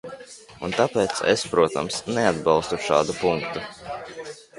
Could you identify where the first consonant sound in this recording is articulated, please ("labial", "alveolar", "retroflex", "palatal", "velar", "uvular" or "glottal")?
alveolar